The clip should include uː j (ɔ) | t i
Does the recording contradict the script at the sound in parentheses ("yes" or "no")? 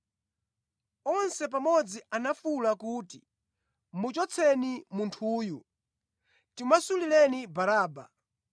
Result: yes